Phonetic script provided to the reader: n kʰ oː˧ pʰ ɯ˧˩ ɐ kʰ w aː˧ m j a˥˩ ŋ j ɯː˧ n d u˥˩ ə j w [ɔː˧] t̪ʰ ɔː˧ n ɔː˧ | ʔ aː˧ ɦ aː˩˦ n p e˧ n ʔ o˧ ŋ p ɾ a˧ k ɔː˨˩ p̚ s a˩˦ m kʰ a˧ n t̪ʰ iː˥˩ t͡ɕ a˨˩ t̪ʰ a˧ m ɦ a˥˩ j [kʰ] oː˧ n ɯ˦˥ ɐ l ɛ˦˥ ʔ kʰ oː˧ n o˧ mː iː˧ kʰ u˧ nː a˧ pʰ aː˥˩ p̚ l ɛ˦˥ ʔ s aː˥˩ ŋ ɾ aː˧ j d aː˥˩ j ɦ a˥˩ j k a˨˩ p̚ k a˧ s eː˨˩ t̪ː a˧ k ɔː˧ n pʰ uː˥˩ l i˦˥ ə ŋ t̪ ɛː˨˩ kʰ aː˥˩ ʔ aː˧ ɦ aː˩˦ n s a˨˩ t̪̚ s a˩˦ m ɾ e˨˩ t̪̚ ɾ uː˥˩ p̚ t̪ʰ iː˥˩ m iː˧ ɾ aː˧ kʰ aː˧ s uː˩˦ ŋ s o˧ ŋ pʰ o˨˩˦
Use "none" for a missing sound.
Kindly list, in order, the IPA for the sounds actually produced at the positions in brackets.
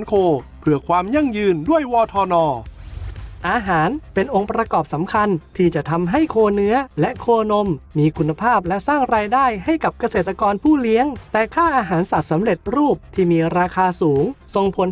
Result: ɔː˧, kʰ

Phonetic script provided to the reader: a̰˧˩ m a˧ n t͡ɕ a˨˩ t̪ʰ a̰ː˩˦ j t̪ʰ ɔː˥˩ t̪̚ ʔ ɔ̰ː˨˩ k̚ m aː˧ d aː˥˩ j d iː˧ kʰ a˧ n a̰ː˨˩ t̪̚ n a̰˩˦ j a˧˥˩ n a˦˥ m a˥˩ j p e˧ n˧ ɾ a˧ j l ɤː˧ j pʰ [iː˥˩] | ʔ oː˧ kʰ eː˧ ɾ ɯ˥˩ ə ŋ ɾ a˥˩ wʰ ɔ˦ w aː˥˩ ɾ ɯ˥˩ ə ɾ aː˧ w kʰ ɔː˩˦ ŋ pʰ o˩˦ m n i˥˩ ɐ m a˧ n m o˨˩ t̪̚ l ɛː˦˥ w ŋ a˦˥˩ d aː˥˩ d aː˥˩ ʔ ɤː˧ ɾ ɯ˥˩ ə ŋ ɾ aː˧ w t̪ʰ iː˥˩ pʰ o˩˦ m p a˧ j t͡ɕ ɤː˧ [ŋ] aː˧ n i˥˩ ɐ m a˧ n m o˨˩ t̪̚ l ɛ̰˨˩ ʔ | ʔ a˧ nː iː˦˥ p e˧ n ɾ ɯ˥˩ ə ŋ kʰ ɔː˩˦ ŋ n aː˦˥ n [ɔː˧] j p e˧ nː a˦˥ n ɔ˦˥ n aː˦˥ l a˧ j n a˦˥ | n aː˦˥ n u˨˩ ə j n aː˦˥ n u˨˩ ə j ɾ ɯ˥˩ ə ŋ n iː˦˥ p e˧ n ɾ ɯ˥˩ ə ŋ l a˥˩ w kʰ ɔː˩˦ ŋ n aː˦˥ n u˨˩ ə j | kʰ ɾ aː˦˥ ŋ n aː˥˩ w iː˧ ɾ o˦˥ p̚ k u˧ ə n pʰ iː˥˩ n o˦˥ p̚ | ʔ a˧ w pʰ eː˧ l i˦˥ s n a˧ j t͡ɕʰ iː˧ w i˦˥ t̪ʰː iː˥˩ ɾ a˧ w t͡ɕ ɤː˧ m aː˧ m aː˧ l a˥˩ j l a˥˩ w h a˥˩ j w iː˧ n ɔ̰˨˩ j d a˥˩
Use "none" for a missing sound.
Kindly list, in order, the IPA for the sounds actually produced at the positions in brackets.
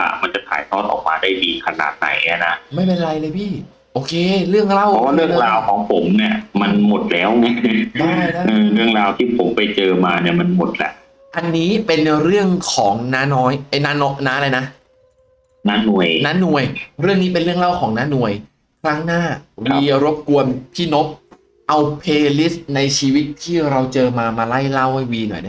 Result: iː˥˩, m, ɔː˦˥

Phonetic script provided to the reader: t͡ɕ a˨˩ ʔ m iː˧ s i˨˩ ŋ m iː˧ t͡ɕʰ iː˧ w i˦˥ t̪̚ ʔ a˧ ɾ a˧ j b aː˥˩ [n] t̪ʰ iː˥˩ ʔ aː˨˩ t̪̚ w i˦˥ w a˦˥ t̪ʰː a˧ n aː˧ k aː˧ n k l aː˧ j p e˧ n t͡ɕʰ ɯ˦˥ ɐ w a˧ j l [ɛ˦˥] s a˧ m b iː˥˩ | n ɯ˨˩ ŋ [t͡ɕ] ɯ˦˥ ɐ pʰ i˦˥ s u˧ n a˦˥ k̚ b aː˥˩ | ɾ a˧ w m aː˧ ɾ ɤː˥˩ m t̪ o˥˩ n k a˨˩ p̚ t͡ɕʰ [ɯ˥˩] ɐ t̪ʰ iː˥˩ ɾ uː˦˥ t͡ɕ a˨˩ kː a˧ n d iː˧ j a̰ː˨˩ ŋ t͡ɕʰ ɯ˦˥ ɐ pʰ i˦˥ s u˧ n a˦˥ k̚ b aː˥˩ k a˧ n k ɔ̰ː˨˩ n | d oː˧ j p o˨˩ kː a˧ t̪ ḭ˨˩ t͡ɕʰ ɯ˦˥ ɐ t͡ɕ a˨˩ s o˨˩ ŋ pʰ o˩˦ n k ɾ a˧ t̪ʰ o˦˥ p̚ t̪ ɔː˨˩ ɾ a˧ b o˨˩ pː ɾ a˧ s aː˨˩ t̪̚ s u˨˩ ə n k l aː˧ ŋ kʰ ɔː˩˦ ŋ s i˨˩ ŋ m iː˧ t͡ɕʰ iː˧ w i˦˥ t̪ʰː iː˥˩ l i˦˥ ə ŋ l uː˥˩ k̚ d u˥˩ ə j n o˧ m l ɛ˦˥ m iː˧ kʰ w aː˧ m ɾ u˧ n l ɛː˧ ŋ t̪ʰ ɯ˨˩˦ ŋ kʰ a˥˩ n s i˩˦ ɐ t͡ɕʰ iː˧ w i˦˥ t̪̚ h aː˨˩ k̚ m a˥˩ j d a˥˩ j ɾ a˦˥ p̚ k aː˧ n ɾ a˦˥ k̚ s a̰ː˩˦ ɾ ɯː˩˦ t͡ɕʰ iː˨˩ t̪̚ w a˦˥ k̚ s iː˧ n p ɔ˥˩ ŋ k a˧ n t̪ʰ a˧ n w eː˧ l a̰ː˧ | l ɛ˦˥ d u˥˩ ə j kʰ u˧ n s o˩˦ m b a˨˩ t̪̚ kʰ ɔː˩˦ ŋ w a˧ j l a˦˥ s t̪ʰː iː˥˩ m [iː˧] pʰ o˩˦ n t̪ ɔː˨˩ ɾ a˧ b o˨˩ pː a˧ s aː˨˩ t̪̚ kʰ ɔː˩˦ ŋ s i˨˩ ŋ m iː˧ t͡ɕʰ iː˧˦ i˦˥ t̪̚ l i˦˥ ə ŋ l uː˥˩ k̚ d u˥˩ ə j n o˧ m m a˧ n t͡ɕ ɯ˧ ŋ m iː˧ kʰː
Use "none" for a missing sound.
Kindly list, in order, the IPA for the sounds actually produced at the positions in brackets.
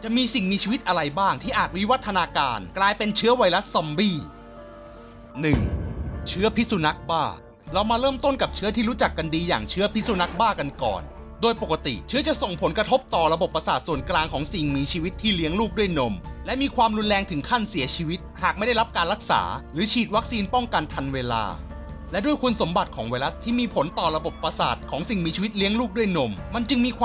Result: ŋ, a˦˥, t͡ɕʰ, ɯ˦˥, iː˧

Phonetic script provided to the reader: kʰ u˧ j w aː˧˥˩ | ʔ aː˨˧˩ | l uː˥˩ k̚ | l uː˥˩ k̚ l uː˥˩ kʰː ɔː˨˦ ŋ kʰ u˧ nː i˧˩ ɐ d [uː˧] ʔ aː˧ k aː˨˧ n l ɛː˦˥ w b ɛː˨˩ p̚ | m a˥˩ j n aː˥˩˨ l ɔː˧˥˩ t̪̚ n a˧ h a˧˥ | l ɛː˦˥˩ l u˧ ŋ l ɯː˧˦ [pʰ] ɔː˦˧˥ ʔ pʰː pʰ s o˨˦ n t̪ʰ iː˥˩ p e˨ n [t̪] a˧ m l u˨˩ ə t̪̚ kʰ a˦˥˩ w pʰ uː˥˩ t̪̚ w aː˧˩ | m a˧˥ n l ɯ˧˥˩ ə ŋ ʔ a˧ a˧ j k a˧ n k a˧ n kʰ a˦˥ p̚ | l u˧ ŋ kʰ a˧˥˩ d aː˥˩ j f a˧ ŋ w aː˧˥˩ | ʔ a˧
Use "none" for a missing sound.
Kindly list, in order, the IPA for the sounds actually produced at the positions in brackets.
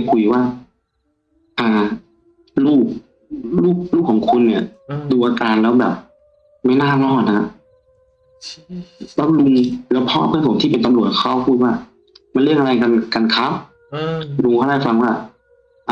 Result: uː˧, pʰ, t̪

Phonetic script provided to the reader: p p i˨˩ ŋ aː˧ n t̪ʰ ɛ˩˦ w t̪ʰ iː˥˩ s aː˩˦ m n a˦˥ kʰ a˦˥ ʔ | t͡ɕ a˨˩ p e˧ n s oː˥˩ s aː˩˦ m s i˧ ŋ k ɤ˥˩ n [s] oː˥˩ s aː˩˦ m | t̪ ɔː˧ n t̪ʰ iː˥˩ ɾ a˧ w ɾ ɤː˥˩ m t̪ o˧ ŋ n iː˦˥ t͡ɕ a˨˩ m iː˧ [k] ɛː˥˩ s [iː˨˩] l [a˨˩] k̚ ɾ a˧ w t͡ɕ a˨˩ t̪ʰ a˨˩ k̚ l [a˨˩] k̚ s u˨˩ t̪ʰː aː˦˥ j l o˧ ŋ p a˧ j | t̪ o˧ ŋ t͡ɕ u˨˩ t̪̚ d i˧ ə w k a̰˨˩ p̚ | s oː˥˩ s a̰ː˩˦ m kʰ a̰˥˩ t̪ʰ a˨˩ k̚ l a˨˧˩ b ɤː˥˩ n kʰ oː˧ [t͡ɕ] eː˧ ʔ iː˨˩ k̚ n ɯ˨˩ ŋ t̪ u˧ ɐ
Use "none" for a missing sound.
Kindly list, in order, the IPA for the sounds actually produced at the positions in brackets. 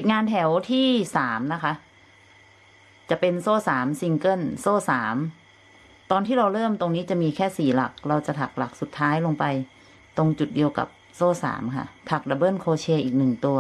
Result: s, kʰ, iː˨˩, a˨˩, a˨˩, t͡ɕʰ

